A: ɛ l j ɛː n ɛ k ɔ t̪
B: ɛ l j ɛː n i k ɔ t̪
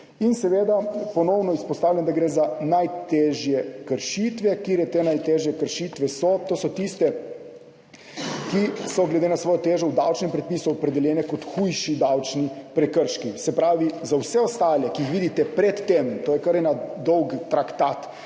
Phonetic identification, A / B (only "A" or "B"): A